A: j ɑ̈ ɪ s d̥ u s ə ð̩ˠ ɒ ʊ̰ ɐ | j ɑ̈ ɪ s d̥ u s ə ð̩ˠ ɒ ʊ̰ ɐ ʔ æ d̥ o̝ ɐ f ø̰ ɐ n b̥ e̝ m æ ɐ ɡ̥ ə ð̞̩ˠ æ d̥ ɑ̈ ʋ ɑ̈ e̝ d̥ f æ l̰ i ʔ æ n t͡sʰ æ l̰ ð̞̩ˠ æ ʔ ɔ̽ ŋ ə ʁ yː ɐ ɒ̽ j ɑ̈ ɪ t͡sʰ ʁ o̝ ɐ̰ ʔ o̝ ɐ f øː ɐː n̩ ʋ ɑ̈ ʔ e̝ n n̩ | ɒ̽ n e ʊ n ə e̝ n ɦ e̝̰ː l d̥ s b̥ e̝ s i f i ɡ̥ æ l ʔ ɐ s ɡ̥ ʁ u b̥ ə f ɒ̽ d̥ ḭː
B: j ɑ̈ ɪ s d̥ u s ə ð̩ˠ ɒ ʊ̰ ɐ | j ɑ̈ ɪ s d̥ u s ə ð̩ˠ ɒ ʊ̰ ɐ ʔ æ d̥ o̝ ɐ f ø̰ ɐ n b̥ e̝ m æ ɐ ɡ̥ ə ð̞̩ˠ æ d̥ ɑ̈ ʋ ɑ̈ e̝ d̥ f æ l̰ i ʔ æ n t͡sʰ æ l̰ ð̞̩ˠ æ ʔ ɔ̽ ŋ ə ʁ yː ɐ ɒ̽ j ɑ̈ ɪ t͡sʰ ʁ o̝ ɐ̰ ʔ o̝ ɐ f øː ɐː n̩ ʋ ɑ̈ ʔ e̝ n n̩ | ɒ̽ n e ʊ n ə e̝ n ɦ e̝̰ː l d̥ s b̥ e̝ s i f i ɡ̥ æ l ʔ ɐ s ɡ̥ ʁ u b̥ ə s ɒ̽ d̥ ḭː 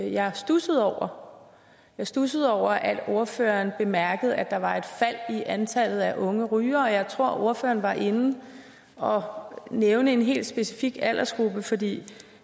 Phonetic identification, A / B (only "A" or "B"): A